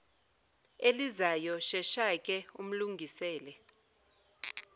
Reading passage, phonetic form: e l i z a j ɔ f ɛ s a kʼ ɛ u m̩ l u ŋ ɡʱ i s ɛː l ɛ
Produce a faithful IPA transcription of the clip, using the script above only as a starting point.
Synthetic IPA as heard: e l i z a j ɔ ʃ ɛ ʃ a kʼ ɛ u m̩ l u ŋ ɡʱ i s ɛː l ɛ